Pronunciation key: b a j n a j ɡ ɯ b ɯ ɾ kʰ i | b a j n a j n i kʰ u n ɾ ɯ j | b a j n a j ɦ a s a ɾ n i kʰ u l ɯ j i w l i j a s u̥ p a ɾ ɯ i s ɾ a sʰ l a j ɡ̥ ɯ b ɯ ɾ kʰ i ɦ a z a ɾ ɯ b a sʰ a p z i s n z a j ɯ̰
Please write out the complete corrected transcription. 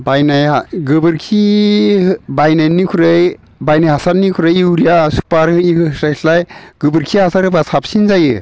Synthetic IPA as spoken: b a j n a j ɡ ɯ b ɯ ɾ kʰ i | b a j n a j n i kʰ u ɾ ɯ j | b a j n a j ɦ a s a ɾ n i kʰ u ɾ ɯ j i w ɾ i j a s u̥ p a ɾ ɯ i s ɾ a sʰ l a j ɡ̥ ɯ b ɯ ɾ kʰ i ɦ a s a ɾ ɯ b a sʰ a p s i n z a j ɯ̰